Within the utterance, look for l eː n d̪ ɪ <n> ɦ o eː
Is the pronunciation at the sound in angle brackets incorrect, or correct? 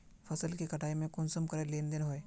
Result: correct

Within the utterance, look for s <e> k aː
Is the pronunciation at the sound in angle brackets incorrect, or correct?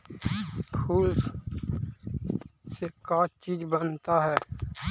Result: correct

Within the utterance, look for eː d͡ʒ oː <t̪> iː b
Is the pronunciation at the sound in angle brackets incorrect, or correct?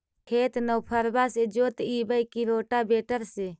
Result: correct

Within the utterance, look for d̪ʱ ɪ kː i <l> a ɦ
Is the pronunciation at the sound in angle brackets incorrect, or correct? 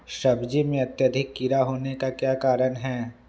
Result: incorrect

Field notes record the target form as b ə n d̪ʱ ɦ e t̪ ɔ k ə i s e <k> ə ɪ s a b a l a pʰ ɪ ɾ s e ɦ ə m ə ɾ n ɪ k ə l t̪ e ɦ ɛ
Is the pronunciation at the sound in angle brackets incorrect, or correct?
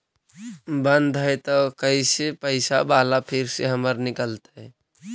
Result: incorrect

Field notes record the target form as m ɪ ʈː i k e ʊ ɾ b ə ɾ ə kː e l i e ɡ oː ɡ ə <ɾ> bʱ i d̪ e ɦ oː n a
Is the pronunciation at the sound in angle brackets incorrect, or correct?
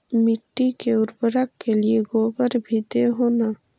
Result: correct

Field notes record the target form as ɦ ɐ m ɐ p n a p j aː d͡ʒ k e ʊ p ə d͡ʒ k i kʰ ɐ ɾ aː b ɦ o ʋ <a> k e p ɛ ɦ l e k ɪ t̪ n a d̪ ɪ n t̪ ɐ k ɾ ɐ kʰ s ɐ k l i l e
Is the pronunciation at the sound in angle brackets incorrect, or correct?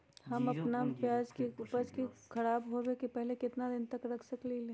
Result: incorrect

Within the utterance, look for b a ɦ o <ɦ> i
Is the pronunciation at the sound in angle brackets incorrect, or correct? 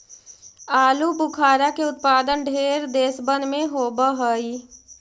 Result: incorrect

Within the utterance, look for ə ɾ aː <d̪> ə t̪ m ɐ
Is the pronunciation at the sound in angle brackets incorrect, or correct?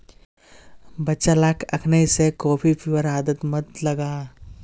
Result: correct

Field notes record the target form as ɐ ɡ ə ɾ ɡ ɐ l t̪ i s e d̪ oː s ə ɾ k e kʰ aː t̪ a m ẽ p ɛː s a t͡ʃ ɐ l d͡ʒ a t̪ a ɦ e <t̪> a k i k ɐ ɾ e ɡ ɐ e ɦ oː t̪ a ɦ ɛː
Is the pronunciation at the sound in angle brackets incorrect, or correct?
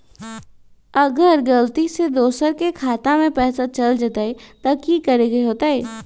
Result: correct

